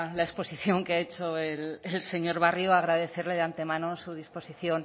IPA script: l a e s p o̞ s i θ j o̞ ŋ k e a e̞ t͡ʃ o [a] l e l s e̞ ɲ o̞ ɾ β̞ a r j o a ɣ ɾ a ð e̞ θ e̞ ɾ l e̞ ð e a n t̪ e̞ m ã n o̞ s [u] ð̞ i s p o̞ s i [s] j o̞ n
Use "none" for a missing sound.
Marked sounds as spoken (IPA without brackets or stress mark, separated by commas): e, u, θ